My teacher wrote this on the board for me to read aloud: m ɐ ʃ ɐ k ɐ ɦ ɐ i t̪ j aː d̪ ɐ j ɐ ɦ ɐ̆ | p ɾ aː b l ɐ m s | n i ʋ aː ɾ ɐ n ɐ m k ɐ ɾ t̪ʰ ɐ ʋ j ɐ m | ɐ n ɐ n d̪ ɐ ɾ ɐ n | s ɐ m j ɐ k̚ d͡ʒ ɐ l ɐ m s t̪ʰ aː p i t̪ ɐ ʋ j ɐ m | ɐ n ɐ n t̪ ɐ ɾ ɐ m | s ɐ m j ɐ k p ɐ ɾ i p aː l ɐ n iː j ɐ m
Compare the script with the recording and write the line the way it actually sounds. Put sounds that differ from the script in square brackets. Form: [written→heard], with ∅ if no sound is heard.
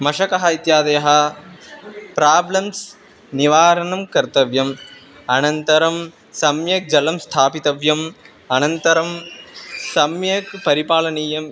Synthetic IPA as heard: m ɐ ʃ ɐ k ɐ ɦ ɐ i t̪ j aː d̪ ɐ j ɐ ɦ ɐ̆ | p ɾ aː b l ɐ m s | n i ʋ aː ɾ ɐ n ɐ m k ɐ ɾ [t̪ʰ→t̪] ɐ ʋ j ɐ m | ɐ n ɐ n [d̪→t̪] ɐ ɾ ɐ [n→m] | s ɐ m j ɐ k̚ d͡ʒ ɐ l ɐ m s t̪ʰ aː p i t̪ ɐ ʋ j ɐ m | ɐ n ɐ n t̪ ɐ ɾ ɐ m | s ɐ m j ɐ k p ɐ ɾ i p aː l ɐ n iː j ɐ m